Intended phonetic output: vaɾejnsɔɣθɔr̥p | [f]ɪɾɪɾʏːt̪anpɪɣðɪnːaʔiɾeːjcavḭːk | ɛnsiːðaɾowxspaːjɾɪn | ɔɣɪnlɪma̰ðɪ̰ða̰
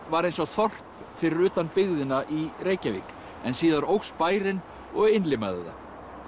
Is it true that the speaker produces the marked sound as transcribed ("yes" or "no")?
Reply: yes